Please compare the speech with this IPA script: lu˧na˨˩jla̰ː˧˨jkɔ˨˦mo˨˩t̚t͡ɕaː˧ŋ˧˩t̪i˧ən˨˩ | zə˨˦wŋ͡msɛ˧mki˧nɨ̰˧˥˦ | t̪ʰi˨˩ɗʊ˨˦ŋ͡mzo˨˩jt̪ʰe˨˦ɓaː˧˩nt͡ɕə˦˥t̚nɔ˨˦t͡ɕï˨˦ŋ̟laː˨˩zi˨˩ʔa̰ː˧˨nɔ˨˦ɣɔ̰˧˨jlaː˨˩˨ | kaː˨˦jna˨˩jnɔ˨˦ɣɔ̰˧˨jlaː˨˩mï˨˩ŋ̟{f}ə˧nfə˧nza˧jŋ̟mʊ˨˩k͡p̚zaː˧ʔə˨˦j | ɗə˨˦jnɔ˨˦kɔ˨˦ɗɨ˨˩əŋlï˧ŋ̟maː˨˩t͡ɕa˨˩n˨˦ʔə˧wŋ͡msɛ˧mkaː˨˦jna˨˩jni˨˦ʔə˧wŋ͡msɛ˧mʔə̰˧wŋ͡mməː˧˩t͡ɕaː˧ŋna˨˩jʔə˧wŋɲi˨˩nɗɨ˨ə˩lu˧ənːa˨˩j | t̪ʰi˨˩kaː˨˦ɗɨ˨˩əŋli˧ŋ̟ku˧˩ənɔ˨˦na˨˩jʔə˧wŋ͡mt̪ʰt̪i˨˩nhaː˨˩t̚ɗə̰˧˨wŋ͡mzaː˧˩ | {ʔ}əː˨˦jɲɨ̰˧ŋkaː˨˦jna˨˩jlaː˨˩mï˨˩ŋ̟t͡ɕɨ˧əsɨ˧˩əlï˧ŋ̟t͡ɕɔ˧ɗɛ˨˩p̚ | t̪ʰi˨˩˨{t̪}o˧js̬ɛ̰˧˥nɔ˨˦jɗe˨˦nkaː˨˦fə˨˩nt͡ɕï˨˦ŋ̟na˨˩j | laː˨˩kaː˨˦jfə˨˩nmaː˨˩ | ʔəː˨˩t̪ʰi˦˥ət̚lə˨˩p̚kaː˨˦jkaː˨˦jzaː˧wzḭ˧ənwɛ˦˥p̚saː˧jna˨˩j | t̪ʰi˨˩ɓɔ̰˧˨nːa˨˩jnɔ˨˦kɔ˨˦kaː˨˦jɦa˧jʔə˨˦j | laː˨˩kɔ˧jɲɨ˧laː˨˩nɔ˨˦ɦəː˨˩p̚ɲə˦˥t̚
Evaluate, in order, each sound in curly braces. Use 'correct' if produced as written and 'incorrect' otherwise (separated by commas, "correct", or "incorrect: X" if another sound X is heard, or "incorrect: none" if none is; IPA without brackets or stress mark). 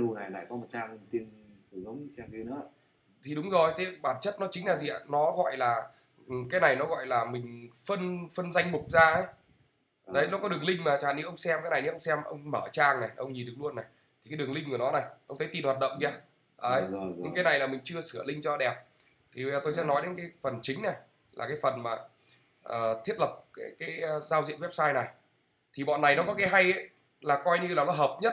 correct, correct, correct